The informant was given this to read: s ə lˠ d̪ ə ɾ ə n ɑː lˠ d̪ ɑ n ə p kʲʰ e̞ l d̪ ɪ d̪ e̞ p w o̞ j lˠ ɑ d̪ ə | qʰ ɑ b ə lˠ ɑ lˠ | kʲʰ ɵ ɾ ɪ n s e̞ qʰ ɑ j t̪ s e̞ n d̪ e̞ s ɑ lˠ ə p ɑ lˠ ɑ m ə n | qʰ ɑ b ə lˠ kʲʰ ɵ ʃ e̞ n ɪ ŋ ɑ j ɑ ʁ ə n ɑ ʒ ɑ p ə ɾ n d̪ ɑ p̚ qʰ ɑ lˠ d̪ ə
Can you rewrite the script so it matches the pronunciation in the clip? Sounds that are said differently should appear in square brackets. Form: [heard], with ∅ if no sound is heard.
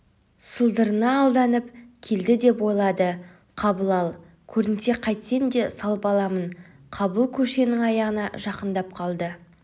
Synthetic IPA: s ə lˠ d̪ ə ɾ ə n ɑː lˠ d̪ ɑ n ə p kʲʰ e̞ l d̪ ɪ d̪ e̞ p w o̞ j lˠ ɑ d̪ ə | qʰ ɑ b ə lˠ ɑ lˠ | kʲʰ ɵ ɾ ɪ n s e̞ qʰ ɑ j t̪ s e̞ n d̪ e̞ s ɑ lˠ ə p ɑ lˠ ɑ m ə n | qʰ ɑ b ə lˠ kʲʰ ɵ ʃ e̞ n ɪ ŋ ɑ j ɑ ʁ ə n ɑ ʒ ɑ [q] ə [∅] n d̪ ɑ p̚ qʰ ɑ lˠ d̪ ə

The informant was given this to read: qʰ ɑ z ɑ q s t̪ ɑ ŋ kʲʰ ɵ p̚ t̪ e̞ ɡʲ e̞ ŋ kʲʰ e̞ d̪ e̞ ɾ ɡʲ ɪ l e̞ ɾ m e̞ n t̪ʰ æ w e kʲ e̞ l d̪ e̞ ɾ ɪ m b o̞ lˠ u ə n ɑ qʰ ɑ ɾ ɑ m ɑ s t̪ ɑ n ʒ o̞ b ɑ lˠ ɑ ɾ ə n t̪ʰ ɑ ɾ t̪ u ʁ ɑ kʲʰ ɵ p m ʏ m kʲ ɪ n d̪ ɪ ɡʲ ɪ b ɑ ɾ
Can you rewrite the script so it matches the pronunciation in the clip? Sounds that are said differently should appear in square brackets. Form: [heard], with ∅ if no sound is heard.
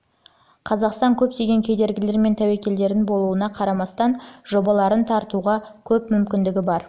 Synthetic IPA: qʰ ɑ z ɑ q s t̪ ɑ ŋ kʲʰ ɵ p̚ t̪ e̞ ɡʲ e̞ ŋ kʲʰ e̞ d̪ e̞ ɾ ɡʲ ɪ l e̞ ɾ m e̞ n t̪ʰ æ w e kʲ e̞ l d̪ e̞ ɾ ɪ [n] b o̞ lˠ u ə n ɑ qʰ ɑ ɾ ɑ m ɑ s t̪ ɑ n ʒ o̞ b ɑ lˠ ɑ ɾ ə n t̪ʰ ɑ ɾ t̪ u ʁ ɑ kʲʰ ɵ p m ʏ m kʲ ɪ n d̪ ɪ ɡʲ ɪ b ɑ ɾ

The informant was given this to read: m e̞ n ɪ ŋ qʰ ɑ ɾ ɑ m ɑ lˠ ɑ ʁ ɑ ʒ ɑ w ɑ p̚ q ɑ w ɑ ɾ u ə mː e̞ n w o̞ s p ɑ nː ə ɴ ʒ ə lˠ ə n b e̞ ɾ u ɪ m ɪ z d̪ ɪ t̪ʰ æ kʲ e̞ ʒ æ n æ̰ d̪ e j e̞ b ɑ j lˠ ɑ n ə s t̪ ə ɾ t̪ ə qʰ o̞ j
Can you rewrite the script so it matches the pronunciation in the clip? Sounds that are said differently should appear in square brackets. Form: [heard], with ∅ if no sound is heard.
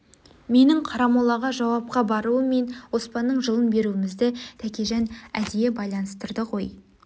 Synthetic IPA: m e̞ n ɪ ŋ qʰ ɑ ɾ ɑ m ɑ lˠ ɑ ʁ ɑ ʒ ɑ w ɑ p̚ q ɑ [b] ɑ ɾ u ə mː e̞ n w o̞ s p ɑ nː ə ɴ ʒ ə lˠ ə n b e̞ ɾ u ɪ m ɪ z d̪ ɪ t̪ʰ æ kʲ e̞ ʒ æ n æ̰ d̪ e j e̞ b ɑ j lˠ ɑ n ə s t̪ ə ɾ [d̪] ə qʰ o̞ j

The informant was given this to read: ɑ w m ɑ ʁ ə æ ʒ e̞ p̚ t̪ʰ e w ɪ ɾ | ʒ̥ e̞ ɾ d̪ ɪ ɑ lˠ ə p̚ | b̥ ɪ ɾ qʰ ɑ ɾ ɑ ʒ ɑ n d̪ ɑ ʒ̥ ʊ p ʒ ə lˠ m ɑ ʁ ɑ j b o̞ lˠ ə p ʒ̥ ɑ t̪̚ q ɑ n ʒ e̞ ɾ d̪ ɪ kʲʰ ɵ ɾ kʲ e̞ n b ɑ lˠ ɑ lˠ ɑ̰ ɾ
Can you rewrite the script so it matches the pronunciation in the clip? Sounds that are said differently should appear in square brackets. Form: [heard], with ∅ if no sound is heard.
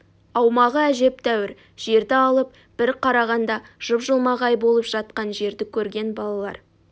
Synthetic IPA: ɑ w m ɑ ʁ ə æ ʒ e̞ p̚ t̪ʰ [æ] w ɪ ɾ | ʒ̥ e̞ ɾ d̪ ɪ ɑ lˠ ə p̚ | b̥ ɪ ɾ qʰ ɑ ɾ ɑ [ʁ] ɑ n d̪ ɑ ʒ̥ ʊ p ʒ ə lˠ m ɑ ʁ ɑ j b o̞ lˠ ə p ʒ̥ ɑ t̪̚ q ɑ n ʒ e̞ ɾ d̪ ɪ kʲʰ ɵ ɾ [ɡʲ] e̞ n b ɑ lˠ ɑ lˠ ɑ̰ ɾ

